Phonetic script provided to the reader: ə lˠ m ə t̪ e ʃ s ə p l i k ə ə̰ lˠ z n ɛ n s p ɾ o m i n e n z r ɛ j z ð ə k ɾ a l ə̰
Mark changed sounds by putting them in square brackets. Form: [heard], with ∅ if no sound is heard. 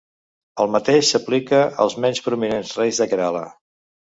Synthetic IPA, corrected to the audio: ə lˠ m ə t̪ e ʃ s ə p l i k ə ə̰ lˠ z [m] ɛ n s p ɾ [u] m i n e n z r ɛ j z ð ə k ɾ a l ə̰